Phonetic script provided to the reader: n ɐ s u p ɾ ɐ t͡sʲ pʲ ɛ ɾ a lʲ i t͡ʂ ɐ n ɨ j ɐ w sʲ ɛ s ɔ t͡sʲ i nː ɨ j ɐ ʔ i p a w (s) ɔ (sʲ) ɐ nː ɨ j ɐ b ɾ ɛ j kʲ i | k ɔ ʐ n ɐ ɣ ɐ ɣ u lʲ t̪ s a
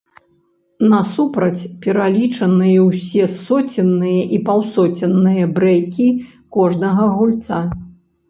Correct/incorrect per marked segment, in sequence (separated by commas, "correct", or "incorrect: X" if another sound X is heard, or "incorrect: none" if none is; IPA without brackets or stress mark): correct, incorrect: t͡sʲ